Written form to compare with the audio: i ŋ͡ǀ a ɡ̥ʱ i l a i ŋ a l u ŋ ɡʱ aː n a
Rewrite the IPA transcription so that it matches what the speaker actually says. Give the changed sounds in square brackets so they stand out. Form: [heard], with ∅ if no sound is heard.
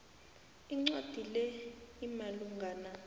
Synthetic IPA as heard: i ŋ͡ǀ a [d̥ʱ] i l [ɛ] i [m] a l u ŋ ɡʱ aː n a